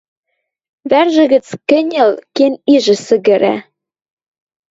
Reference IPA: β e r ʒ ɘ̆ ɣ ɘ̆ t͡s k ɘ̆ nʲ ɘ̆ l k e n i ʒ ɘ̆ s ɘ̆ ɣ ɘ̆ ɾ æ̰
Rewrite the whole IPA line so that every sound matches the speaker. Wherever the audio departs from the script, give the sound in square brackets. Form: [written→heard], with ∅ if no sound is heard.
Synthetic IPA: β [e→æ] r ʒ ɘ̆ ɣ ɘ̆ t͡s k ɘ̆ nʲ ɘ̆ l k e n i ʒ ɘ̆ s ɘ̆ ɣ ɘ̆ ɾ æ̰